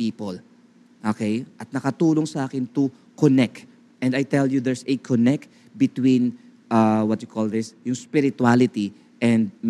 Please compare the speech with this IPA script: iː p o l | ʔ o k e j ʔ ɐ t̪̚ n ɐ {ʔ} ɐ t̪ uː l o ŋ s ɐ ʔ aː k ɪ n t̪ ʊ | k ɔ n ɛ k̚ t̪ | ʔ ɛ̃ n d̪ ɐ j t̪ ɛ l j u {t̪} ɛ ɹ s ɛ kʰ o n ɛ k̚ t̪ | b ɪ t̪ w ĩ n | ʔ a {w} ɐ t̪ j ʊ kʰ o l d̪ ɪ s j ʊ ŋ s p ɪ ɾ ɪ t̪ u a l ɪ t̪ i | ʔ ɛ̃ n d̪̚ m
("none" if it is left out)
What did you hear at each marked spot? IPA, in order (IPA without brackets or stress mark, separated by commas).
k, d̪, w